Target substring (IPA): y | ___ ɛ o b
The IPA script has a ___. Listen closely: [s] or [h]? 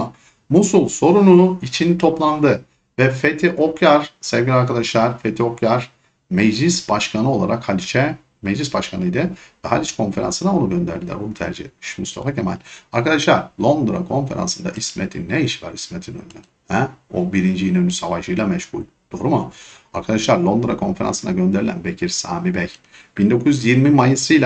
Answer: h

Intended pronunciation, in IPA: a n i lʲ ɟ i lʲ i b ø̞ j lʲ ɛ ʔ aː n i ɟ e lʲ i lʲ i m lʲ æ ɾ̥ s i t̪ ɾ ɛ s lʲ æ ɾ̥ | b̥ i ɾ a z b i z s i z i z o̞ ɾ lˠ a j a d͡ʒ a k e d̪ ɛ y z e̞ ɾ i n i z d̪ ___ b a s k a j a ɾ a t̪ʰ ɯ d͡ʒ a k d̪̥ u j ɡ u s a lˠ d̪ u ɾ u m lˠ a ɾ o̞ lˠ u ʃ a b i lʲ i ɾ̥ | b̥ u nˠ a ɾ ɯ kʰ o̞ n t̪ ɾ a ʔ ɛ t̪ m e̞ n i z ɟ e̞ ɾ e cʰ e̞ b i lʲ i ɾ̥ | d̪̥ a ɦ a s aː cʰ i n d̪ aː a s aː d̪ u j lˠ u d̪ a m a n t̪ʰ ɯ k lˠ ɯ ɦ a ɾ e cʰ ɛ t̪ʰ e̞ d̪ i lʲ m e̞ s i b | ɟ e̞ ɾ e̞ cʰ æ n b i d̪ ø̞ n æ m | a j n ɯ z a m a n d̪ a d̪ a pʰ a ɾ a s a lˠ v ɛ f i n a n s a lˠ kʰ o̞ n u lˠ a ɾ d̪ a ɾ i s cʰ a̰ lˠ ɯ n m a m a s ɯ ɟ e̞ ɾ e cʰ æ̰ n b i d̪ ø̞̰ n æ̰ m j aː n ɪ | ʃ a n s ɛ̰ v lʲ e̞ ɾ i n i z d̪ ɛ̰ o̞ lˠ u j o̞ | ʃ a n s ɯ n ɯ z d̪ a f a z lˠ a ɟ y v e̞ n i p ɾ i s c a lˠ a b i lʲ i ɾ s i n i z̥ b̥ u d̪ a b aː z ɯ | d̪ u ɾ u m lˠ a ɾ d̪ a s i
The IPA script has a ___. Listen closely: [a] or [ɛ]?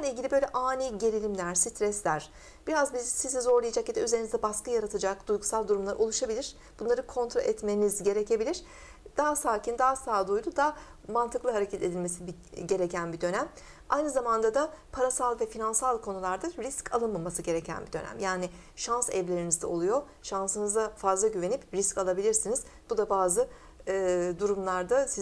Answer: ɛ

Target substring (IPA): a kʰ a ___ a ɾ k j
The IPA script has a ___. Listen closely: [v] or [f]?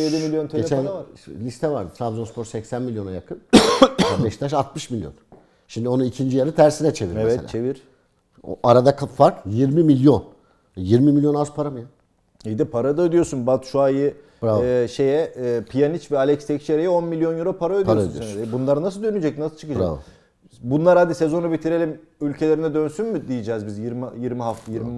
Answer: f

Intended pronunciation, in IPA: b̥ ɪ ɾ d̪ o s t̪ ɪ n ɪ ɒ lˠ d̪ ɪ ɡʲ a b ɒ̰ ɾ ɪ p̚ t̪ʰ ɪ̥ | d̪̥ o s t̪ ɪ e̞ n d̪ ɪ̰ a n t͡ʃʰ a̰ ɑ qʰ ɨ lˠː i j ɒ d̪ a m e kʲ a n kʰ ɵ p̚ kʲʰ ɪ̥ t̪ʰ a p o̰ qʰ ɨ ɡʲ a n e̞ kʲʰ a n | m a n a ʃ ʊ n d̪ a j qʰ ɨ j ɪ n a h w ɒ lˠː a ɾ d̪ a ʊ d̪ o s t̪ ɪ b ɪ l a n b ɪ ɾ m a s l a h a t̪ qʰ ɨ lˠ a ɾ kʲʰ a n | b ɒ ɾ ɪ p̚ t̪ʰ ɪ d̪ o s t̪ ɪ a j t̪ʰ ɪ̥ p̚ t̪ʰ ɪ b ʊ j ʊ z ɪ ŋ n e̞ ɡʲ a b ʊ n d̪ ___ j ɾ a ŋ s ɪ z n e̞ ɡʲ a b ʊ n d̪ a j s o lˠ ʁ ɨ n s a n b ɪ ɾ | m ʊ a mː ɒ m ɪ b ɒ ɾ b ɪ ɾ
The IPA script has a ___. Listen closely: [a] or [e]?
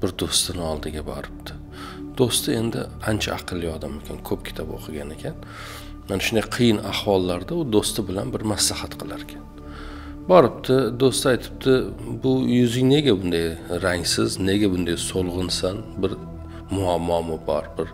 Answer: a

